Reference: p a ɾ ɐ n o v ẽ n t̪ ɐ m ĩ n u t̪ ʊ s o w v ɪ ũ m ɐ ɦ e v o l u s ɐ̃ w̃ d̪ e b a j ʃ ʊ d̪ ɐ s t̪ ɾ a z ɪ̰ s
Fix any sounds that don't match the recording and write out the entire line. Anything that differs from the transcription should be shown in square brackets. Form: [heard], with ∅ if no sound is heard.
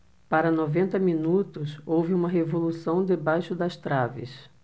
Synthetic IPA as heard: p a ɾ ɐ n o v ẽ n t̪ ɐ m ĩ n u t̪ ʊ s o w v ɪ ũ m ɐ ɦ e v o l u s ɐ̃ w̃ d̪ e b a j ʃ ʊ d̪ ɐ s t̪ ɾ a [v] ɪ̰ s